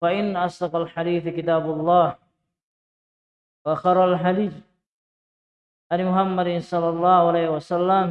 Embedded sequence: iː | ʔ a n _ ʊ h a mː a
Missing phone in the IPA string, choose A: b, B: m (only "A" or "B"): B